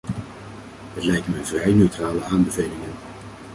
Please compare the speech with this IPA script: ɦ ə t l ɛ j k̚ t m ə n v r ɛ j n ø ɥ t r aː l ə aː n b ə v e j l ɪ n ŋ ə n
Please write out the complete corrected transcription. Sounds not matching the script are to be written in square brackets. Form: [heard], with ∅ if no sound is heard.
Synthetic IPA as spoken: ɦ ə t l ɛ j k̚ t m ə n v r ɛ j n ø ɥ t r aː l ə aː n b ə v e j l ɪ [∅] ŋ ə n